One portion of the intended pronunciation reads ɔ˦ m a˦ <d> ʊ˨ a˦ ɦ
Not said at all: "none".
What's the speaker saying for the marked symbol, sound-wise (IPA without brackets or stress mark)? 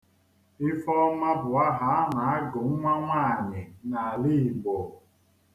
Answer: b